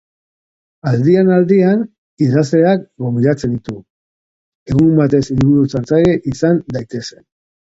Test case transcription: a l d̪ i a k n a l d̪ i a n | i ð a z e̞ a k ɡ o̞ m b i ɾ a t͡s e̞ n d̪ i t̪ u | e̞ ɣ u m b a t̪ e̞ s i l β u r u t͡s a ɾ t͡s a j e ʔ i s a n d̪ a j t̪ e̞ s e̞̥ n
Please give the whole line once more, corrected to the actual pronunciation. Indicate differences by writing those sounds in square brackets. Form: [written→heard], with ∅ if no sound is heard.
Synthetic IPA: a l d̪ i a [k→∅] n a l d̪ i a n | i ð a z e̞ a k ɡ o̞ m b i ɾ a t͡s e̞ n d̪ i t̪ u | e̞ ɣ u m b a t̪ e̞ s i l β u [r→ɾ] u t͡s a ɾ t͡s a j e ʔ i s a n d̪ a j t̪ e̞ s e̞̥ n